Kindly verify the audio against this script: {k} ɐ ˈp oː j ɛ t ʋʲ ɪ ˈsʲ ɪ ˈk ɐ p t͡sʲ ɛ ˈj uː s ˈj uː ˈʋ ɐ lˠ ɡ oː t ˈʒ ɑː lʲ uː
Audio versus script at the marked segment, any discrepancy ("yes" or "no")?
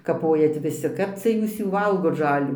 no